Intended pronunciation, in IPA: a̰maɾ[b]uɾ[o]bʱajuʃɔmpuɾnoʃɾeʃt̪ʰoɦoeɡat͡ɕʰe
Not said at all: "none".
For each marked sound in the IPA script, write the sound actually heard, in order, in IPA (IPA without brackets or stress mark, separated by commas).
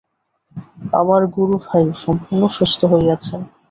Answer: ɡ, u